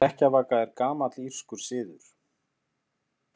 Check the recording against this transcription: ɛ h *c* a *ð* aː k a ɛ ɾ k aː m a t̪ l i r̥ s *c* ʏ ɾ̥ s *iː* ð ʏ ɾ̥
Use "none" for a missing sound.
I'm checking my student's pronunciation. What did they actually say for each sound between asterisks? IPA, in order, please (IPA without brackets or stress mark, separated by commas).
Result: c, v, k, ɪː